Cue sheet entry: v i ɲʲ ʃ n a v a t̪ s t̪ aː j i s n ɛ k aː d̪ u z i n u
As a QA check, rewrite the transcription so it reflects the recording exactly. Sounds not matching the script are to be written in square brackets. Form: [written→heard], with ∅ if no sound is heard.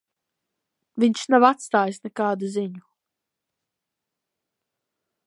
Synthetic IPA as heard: v i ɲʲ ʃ n a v a t̪ s t̪ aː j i s n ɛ k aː d̪ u z i [n→ɲ] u